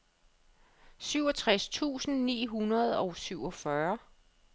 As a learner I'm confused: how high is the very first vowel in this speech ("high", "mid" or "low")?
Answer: high